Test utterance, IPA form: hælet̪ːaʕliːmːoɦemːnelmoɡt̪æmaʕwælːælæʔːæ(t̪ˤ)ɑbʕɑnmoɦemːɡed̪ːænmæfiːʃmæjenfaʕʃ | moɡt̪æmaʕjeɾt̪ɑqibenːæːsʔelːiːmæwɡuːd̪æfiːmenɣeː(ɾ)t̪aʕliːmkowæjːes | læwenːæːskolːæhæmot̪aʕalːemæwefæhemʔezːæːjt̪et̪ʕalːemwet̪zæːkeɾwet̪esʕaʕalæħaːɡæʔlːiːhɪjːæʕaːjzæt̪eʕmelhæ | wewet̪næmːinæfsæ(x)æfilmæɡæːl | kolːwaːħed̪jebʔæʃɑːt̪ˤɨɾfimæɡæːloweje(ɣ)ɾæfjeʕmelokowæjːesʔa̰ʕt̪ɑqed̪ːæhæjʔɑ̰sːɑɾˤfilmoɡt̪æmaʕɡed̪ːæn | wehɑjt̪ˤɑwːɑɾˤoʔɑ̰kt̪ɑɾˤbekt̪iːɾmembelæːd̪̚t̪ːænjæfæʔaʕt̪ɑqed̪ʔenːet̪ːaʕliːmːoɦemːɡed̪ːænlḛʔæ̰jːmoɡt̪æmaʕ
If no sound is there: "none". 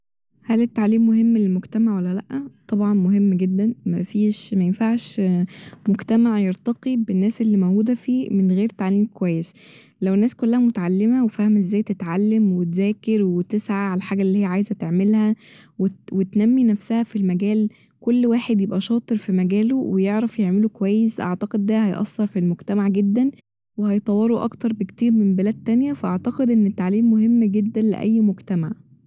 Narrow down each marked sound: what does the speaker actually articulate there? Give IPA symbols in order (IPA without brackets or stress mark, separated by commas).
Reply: t̪ˤ, ɾ, h, ʕ